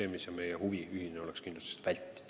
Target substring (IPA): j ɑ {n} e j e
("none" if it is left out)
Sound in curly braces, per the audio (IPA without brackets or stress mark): m